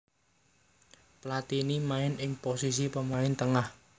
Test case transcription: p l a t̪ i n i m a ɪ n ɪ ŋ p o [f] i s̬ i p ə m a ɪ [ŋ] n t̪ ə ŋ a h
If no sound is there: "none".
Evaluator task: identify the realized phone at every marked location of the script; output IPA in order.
s, none

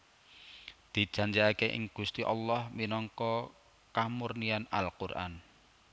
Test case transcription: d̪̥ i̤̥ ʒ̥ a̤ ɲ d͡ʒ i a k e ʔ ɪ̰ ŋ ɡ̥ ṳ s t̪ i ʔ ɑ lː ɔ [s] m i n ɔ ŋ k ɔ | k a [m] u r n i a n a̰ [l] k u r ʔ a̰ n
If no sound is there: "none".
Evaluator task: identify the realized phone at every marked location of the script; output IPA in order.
h, m, l

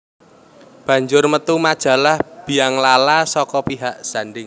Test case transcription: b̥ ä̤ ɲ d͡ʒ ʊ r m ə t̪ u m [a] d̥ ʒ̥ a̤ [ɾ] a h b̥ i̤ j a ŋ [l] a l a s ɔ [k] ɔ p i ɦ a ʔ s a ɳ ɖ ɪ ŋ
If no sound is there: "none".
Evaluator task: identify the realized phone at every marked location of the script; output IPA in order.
a, l, l, k

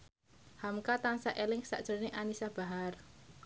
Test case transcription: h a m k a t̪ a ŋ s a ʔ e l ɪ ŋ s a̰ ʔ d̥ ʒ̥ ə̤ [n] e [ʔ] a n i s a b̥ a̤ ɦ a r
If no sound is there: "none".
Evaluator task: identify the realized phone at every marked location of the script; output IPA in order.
n, ʔ

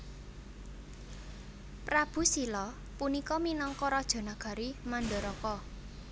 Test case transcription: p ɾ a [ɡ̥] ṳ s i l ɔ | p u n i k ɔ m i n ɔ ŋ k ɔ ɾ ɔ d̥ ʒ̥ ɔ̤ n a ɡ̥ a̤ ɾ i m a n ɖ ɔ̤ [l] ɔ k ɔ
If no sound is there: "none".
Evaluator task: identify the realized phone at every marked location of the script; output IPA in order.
b̥, ɾ

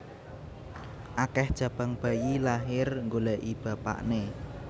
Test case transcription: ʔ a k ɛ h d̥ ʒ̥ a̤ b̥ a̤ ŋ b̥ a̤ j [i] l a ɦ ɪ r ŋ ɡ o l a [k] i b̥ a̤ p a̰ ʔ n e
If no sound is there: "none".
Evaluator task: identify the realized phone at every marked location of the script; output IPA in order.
i, ʔ

